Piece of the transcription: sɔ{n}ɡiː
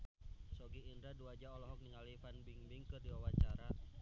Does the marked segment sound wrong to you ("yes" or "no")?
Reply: yes